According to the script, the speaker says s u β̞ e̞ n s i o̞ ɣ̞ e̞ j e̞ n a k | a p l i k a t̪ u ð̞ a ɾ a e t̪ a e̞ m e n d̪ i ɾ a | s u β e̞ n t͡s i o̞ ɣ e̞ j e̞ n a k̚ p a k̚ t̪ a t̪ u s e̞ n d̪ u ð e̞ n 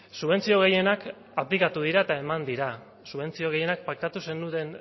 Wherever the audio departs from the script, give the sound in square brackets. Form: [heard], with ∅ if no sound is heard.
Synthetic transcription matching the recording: s u β̞ e̞ n [t͡s] i o̞ ɣ̞ e̞ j e̞ n a k | a p l i k a t̪ u ð̞ [i] ɾ a e t̪ a e̞ m [a] n d̪ i ɾ a | s u β e̞ n t͡s i o̞ ɣ e̞ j e̞ n a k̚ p a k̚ t̪ a t̪ u s e̞ n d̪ u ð e̞ n